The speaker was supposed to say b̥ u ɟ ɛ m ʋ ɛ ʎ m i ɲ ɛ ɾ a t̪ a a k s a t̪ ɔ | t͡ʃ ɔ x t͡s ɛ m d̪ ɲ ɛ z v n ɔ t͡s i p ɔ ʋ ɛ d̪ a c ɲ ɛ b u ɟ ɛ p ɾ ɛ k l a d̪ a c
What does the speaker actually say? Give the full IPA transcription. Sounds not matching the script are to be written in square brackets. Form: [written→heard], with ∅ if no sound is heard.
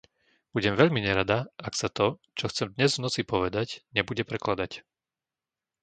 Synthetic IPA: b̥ u ɟ ɛ m ʋ ɛ ʎ m i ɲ ɛ ɾ a [t̪→d̪] a a k s a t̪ ɔ | t͡ʃ ɔ x t͡s ɛ m d̪ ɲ ɛ z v n ɔ t͡s i p ɔ ʋ ɛ d̪ a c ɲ ɛ b u ɟ ɛ p ɾ ɛ k l a d̪ a c